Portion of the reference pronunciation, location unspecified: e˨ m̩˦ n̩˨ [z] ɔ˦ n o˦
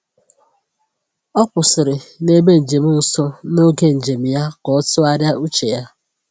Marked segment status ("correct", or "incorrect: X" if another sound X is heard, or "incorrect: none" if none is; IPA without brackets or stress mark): incorrect: s